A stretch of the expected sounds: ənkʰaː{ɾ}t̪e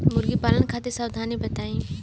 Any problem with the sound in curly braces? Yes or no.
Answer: yes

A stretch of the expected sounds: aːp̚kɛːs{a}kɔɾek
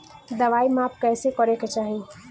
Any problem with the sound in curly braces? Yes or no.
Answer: yes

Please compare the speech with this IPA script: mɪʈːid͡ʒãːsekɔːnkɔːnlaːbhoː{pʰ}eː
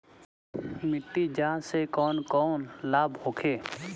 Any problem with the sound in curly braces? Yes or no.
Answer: yes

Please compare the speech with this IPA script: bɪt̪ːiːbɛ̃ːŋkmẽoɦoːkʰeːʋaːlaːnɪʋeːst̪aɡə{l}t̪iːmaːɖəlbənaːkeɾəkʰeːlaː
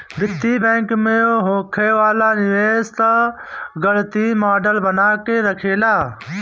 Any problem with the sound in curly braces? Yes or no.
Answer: no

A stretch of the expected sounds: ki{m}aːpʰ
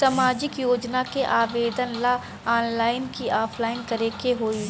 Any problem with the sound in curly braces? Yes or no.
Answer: yes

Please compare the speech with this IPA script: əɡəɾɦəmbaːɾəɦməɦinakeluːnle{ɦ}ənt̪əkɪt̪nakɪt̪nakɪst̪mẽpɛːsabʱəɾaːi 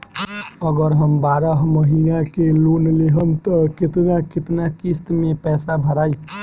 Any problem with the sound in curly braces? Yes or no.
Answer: no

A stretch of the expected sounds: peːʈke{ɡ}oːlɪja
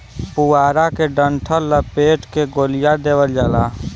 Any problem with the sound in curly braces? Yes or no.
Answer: no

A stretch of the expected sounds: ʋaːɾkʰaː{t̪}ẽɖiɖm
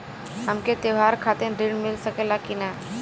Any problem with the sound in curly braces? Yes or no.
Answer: no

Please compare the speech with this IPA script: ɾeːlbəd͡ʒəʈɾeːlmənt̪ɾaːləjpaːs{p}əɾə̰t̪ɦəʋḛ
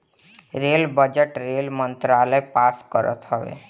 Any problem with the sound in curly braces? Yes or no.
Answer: yes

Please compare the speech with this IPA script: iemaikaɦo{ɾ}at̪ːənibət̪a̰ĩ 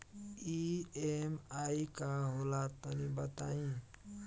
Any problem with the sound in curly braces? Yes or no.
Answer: yes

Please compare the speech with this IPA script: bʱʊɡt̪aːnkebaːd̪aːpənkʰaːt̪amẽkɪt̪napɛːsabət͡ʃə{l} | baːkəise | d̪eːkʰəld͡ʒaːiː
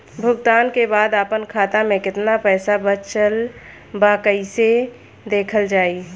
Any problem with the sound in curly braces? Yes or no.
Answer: no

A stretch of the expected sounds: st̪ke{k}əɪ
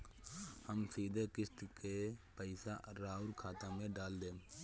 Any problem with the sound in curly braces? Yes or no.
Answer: yes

